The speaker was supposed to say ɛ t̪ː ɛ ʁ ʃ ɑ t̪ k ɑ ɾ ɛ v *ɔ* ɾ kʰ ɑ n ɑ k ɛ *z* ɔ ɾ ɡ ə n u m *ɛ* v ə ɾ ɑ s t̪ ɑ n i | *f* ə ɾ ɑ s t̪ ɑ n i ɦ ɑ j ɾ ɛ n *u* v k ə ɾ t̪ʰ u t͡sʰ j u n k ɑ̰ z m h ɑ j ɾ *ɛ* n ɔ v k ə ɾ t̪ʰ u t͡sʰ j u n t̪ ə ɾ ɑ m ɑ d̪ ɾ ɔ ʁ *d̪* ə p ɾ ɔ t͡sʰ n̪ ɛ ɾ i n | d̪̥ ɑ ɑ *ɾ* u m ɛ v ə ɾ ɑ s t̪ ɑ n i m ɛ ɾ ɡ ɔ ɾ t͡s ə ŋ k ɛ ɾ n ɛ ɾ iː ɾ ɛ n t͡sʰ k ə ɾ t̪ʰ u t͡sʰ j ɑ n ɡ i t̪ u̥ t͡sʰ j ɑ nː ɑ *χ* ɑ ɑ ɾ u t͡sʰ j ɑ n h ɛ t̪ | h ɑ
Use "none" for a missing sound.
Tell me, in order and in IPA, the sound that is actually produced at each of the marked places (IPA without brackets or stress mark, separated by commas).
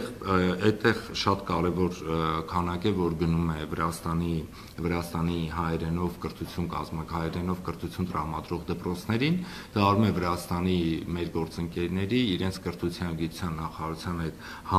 ɔ, v, ɛ, v, ɔ, ɛ, d̪, ɾ, χ